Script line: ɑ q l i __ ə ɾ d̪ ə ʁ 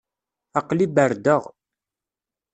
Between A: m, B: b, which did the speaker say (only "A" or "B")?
B